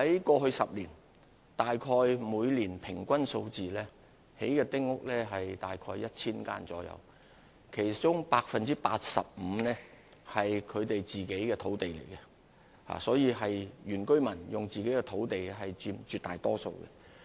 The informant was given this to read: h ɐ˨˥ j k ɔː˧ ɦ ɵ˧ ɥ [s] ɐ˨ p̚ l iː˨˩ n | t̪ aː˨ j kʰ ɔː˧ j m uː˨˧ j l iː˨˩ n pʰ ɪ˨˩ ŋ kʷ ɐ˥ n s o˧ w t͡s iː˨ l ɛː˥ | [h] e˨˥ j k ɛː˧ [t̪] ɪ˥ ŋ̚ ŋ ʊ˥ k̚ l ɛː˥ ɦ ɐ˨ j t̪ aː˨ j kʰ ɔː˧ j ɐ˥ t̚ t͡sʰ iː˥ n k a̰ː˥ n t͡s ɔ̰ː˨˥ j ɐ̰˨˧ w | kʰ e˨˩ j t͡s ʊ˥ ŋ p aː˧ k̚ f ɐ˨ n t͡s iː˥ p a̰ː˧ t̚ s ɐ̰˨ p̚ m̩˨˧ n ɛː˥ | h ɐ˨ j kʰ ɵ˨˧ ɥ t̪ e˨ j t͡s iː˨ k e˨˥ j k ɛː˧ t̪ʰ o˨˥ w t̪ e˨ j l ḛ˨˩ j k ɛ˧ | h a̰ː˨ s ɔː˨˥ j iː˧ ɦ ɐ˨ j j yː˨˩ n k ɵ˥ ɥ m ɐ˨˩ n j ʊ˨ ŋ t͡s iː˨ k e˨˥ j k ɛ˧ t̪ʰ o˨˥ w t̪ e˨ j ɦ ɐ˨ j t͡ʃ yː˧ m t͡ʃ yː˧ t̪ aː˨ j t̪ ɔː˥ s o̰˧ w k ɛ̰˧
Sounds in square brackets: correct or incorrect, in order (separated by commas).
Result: correct, correct, correct